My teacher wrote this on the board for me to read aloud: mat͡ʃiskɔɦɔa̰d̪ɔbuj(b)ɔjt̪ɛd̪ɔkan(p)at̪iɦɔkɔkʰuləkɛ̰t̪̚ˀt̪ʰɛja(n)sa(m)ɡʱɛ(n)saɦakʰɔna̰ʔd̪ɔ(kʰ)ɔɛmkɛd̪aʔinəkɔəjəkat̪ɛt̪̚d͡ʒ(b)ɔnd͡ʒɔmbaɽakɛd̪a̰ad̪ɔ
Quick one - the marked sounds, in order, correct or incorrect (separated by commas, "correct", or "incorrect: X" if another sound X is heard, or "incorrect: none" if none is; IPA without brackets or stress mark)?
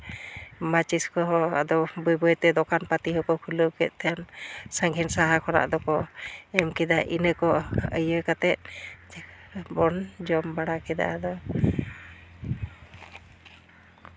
correct, correct, correct, incorrect: ŋ, correct, incorrect: k, correct